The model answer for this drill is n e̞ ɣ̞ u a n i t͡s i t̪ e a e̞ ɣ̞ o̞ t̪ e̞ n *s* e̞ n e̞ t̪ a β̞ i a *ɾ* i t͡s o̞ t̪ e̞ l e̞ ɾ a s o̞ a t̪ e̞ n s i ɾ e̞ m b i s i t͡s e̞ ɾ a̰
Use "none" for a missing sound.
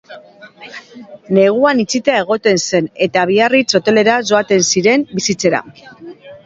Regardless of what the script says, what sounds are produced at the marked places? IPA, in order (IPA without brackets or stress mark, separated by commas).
s, r